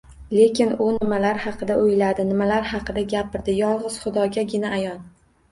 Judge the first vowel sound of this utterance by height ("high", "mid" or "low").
mid